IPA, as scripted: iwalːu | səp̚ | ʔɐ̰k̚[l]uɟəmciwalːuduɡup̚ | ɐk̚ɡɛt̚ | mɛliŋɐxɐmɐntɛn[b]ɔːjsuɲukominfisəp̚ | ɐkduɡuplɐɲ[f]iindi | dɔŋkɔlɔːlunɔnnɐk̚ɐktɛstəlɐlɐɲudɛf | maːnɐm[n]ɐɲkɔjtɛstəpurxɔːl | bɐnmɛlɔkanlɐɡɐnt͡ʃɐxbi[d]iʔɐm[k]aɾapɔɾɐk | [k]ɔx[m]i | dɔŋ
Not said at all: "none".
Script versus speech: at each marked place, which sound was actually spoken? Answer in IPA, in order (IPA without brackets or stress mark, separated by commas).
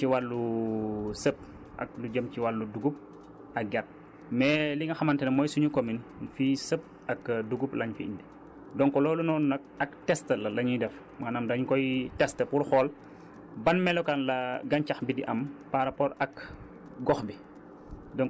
l, m, f, d, d, p, ɡ, b